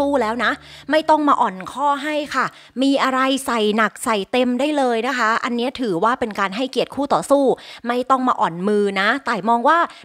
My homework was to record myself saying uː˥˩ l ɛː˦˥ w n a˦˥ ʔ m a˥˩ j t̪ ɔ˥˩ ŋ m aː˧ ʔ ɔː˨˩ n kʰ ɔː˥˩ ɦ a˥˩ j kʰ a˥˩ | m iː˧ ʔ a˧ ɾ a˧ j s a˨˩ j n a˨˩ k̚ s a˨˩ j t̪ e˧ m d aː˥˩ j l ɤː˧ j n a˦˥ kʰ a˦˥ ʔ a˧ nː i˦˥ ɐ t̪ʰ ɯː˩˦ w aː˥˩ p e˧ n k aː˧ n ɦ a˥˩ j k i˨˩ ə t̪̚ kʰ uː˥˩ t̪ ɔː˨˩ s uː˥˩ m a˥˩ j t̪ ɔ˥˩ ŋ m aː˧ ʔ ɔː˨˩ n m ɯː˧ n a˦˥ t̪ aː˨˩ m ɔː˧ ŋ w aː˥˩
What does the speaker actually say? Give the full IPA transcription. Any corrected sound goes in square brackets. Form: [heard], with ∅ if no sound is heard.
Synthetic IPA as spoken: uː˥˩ l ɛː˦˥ w n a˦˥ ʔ m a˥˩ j t̪ ɔ˥˩ ŋ m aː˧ ʔ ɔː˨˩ n kʰ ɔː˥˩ ɦ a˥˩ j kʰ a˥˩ | m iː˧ ʔ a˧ ɾ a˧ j s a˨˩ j n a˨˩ k̚ s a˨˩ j t̪ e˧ m d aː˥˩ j l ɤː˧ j n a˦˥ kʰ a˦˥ ʔ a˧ nː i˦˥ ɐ t̪ʰ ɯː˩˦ w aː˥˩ p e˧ n k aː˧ n ɦ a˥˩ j k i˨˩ ə t̪̚ kʰ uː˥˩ t̪ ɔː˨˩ s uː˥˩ m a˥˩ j t̪ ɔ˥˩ ŋ m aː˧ ʔ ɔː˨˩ n m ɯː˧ n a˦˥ t̪ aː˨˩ m ɔː˧ ŋ w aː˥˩